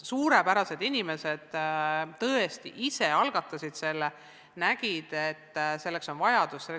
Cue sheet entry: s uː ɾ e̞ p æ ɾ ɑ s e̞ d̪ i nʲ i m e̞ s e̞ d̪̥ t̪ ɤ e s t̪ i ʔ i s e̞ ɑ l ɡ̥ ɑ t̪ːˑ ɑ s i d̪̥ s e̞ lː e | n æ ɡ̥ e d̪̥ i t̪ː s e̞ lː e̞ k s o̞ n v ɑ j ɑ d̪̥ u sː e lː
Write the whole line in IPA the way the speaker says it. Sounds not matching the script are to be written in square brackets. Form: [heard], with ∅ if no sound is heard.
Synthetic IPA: s uː ɾ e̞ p æ ɾ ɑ s e̞ d̪ i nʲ i m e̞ s e̞ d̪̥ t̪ ɤ e s t̪ i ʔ i s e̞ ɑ l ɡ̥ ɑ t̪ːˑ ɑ s i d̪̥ s e̞ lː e | n æ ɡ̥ [i] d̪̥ [e] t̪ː s e̞ lː e̞ k s o̞ n v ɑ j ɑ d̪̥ u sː e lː

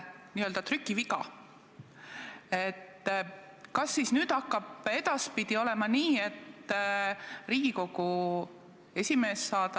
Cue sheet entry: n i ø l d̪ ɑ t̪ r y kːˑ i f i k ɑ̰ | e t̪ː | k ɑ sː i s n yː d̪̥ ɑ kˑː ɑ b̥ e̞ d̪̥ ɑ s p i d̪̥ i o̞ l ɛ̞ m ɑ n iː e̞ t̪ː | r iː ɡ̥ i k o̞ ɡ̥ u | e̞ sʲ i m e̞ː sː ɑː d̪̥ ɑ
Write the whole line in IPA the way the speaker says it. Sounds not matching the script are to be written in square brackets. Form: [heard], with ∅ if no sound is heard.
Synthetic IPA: n i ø l d̪ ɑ t̪ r y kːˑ i [v] i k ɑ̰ | e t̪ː | k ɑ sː i s n yː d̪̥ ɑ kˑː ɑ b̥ e̞ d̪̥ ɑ s p i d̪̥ i o̞ l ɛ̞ m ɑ n iː e̞ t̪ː | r iː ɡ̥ i k o̞ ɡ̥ u | e̞ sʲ i m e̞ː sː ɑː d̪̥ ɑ

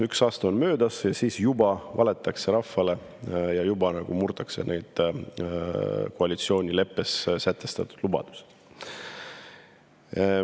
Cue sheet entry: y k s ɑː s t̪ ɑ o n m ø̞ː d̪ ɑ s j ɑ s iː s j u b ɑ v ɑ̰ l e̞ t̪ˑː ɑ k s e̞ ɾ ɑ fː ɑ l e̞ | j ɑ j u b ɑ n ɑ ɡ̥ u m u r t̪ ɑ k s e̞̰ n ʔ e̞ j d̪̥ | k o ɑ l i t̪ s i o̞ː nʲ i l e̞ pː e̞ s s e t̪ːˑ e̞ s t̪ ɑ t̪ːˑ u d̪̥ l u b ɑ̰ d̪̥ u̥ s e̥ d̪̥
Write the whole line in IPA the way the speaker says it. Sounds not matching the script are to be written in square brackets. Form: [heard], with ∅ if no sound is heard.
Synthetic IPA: y k s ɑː s t̪ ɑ o n m ø̞ː d̪ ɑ s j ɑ s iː s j u b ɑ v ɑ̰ l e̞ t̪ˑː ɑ k s e̞ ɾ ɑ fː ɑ l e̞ | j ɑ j u b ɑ n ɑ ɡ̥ u m u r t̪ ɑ k s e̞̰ n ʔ e̞ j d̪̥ | k o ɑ l i t̪ s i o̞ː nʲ i l e̞ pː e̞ s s [æ] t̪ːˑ e̞ s t̪ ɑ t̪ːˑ u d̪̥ l u b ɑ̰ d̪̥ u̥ s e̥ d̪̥

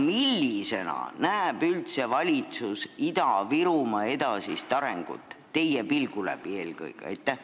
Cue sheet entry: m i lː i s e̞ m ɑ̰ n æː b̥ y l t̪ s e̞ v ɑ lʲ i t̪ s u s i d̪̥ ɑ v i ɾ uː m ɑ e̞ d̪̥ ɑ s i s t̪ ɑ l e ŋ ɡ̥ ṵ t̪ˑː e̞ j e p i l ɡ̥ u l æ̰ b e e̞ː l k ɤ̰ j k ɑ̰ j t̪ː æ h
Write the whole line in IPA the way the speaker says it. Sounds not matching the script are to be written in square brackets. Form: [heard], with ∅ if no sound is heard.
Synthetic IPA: m i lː i s e̞ [n] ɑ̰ n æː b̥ y l t̪ s e̞ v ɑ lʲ i t̪ s u s i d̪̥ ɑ v i ɾ [u] m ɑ e̞ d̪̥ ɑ s i s t̪ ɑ [ɾ] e ŋ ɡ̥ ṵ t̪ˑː e̞ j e p i l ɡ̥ u l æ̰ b [i] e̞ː l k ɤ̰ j k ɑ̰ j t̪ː æ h

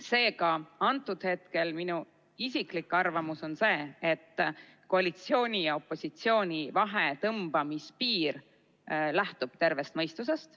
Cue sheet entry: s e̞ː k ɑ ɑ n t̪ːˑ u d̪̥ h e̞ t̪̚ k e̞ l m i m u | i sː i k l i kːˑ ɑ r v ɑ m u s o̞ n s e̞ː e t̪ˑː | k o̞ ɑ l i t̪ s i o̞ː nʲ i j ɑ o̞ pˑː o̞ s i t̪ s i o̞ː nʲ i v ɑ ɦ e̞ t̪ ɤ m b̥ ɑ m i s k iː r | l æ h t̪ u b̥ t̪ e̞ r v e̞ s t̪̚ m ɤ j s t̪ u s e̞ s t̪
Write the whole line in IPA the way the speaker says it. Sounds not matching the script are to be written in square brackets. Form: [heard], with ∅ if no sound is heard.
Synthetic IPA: s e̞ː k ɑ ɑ n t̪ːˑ u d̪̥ h e̞ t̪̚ k e̞ l m i [n] u | i [s] i k l i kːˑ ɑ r v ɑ m u s o̞ n s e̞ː e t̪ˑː | k o̞ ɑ l i t̪ s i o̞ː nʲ i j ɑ o̞ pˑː o̞ s i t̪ s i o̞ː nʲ i v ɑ ɦ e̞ t̪ ɤ m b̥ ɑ m i s [p] iː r | l æ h t̪ u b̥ t̪ e̞ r v e̞ s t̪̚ m ɤ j s t̪ u s e̞ s t̪

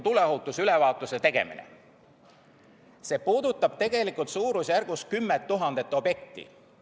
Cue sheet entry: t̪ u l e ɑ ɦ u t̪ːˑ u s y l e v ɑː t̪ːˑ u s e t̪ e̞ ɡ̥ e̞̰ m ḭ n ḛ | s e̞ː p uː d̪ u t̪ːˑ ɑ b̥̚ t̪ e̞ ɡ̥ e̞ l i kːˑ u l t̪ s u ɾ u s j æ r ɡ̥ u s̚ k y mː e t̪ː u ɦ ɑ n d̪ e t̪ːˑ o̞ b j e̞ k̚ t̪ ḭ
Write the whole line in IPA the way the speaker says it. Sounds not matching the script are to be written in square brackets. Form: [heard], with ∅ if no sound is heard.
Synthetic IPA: t̪ u l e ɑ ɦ u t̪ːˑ u s y l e v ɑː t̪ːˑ u s e t̪ e̞ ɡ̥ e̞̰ m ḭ n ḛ | s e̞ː p uː d̪ u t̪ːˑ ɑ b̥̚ t̪ e̞ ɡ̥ e̞ l i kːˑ u l t̪ s [uː] ɾ u s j æ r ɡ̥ u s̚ k y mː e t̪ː u ɦ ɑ n d̪ e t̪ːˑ o̞ b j e̞ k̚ t̪ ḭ

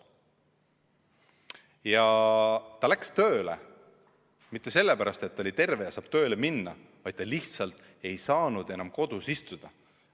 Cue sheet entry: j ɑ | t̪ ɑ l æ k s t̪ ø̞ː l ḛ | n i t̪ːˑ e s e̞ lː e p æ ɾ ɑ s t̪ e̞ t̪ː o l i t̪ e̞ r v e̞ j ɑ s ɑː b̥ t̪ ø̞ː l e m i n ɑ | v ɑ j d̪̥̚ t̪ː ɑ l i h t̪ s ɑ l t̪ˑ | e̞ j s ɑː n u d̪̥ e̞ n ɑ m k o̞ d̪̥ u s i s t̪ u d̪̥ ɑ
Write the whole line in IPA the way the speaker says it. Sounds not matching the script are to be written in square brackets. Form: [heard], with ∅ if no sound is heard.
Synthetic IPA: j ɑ | t̪ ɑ l æ k s t̪ ø̞ː l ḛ | [m] i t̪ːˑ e s e̞ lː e p æ ɾ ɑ s t̪ e̞ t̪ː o l i t̪ e̞ r v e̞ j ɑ s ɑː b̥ t̪ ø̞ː l e m i [nː] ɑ | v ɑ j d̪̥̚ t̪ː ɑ l i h t̪ s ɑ l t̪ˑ | e̞ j s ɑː n u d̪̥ e̞ n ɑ m k o̞ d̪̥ u s i s t̪ u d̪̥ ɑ

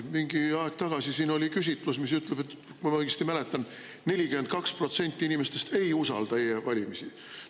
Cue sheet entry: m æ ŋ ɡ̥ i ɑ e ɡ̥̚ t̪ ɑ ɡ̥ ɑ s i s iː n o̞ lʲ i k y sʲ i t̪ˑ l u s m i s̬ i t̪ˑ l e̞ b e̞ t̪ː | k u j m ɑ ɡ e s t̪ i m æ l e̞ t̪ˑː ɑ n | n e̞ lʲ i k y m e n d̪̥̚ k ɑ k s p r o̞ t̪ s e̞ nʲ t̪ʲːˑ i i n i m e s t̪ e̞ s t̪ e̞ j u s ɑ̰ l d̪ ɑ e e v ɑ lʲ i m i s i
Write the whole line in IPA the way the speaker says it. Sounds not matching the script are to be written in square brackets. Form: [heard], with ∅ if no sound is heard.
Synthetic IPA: m [i] ŋ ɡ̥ i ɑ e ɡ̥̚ t̪ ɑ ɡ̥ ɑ s i s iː n o̞ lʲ i k y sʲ i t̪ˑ l u s m i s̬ [y] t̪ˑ l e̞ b e̞ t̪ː | k u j m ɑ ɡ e s t̪ i m æ l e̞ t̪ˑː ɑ n | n e̞ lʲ i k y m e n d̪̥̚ k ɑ k s p r o̞ t̪ s e̞ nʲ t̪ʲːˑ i i n i m e s t̪ e̞ s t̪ e̞ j u s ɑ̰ l d̪ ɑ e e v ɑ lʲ i m i s i

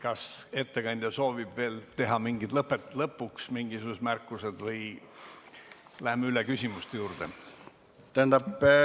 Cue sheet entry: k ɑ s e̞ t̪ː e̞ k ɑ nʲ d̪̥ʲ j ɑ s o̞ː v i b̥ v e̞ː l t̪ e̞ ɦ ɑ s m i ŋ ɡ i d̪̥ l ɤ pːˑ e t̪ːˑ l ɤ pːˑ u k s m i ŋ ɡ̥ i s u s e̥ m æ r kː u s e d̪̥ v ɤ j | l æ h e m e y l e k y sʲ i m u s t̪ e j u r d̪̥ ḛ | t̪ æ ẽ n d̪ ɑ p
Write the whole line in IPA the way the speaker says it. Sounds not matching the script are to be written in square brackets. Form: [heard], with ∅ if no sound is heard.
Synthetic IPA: k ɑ s e̞ t̪ː e̞ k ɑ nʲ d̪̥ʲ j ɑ s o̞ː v i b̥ v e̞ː l t̪ e̞ ɦ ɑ [∅] m i ŋ ɡ i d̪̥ l ɤ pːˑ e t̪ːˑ l ɤ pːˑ u k s m i ŋ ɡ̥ i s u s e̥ m æ r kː u s e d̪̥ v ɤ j | l æ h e m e y l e k y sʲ i m u s t̪ e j [uː] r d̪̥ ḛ | t̪ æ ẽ n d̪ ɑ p

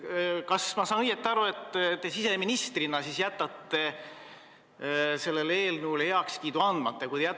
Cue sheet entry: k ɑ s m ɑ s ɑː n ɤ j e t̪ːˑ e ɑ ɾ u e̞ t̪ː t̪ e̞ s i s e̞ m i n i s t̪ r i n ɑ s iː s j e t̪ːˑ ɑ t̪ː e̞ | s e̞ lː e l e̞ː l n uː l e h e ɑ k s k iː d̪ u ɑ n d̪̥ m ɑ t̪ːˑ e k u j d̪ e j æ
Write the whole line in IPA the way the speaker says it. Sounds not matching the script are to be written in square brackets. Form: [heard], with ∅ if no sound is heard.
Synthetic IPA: k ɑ s m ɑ s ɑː n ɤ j e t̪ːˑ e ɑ ɾ u e̞ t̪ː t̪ e̞ s i s e̞ m i n i s t̪ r i n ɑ s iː s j [æ] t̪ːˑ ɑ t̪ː e̞ | s e̞ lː e l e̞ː l n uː l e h e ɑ k s k iː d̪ u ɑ n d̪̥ m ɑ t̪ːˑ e k u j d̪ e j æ

